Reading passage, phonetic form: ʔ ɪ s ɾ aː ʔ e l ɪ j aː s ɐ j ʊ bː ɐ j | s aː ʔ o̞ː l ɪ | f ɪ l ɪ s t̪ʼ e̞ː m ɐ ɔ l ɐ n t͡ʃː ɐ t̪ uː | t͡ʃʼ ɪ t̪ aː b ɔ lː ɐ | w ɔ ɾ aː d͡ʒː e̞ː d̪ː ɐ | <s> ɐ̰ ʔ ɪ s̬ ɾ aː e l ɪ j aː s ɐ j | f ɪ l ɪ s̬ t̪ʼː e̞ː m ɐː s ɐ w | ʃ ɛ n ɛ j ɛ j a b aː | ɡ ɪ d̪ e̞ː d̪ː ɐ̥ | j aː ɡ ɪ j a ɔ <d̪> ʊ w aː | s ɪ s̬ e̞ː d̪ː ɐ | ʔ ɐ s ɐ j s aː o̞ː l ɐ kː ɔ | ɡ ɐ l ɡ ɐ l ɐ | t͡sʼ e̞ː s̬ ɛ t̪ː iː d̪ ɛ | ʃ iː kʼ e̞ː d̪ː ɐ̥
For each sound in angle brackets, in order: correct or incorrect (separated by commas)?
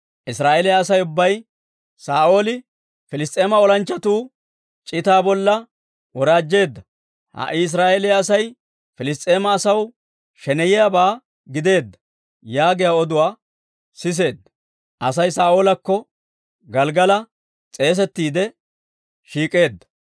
incorrect, correct